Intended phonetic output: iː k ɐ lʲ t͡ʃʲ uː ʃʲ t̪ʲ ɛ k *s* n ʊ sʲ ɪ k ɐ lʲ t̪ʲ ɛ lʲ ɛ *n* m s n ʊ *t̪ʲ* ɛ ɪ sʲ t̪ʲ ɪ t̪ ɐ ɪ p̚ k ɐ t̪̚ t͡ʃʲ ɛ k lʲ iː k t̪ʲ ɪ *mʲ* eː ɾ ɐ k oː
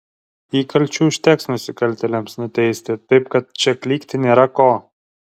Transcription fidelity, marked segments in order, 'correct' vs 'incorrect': correct, incorrect: none, correct, incorrect: nʲ

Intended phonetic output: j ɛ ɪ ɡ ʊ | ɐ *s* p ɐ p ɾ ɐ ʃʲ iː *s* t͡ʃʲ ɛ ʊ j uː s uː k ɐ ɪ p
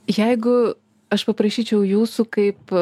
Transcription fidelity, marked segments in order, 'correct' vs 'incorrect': incorrect: ʃ, incorrect: none

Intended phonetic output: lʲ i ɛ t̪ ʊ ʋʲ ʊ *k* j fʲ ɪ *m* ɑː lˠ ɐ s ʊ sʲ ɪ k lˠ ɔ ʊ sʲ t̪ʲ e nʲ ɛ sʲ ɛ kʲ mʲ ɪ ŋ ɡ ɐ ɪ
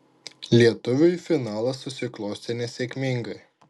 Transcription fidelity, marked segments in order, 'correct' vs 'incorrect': incorrect: none, incorrect: n

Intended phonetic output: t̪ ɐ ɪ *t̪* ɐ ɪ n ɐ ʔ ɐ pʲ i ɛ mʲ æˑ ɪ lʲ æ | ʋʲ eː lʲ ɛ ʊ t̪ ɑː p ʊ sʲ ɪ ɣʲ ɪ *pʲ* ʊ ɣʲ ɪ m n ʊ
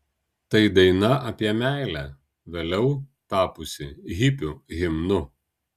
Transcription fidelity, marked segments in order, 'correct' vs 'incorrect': incorrect: d̪, correct

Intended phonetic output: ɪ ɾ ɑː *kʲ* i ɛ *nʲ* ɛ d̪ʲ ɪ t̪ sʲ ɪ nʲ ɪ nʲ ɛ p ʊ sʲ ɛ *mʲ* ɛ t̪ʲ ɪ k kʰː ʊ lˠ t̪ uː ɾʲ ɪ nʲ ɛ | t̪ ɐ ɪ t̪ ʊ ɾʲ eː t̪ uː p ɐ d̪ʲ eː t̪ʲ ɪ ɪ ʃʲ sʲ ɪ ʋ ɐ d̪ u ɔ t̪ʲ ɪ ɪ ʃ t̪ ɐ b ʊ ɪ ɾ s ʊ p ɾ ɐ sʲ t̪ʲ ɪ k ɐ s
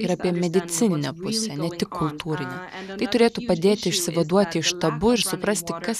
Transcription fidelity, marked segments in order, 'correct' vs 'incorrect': incorrect: pʲ, incorrect: mʲ, incorrect: nʲ

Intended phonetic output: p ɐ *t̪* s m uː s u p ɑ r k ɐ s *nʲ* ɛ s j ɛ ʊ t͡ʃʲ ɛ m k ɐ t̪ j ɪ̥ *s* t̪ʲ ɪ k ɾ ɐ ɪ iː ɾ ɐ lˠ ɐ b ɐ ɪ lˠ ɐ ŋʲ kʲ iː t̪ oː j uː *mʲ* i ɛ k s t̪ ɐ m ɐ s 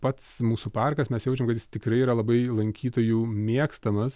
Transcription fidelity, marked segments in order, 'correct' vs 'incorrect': correct, incorrect: mʲ, correct, correct

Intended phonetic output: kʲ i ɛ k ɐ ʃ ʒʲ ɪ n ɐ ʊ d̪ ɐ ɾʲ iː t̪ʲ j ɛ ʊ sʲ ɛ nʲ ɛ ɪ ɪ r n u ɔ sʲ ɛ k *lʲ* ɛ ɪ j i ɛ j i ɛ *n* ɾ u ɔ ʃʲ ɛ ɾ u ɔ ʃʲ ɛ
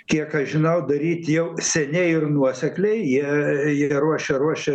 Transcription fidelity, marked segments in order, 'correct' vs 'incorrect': correct, incorrect: none

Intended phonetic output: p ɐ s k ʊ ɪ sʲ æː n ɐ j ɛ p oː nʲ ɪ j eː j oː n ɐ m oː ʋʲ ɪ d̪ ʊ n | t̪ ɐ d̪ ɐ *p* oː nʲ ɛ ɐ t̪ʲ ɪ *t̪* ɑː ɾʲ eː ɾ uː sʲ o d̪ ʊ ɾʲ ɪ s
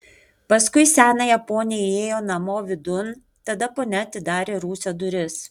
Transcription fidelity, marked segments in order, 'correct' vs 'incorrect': correct, incorrect: d̪

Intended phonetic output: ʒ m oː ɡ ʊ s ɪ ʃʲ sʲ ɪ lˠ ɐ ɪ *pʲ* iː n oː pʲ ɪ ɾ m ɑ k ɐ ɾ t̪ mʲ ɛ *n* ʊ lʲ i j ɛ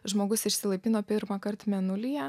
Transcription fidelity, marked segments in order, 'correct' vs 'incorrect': correct, correct

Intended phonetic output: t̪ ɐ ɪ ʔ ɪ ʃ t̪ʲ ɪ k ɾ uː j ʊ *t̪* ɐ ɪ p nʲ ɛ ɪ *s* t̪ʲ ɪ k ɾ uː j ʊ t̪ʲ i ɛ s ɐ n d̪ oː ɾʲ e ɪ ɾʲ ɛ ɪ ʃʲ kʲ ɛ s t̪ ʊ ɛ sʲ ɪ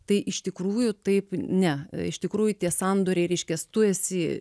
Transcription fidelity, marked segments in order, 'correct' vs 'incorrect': correct, incorrect: ʃ

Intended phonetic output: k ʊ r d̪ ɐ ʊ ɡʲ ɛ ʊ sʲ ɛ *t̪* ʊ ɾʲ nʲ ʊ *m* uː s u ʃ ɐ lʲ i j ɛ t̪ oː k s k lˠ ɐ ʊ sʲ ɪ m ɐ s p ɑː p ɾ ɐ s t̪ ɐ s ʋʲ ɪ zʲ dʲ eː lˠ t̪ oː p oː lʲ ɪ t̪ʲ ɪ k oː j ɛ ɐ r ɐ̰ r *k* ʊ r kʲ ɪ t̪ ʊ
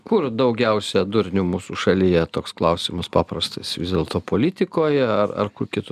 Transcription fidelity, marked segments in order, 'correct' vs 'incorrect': incorrect: d̪, correct, correct

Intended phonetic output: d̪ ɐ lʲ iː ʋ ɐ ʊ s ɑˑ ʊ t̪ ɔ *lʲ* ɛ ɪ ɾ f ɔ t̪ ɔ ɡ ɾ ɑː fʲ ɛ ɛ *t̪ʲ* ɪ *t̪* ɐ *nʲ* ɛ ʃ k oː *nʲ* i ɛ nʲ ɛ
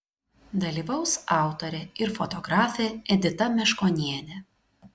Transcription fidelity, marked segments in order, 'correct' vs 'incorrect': incorrect: ɾʲ, incorrect: d̪ʲ, correct, incorrect: mʲ, correct

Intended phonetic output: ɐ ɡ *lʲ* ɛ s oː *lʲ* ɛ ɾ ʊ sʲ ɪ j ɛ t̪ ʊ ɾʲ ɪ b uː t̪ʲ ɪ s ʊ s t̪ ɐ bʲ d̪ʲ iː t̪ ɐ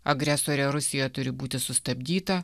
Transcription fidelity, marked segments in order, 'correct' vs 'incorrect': incorrect: ɾʲ, incorrect: ɾʲ

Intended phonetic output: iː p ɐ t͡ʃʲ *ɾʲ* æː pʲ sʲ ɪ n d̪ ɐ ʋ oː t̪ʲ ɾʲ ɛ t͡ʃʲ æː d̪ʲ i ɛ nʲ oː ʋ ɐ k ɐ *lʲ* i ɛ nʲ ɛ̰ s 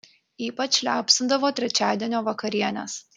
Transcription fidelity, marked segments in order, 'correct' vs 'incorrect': incorrect: lʲ, incorrect: ɾʲ

